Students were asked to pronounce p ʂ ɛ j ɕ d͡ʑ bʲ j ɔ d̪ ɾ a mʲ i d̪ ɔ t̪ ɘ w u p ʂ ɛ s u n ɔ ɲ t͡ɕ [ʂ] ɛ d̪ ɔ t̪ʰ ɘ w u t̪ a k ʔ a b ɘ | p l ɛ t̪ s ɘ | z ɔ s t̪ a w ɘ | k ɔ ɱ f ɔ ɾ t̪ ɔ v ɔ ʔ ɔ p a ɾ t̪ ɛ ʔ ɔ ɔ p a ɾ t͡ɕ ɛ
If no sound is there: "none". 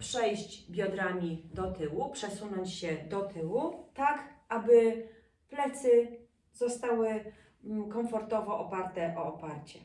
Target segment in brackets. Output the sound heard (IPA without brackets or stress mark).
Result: ɕ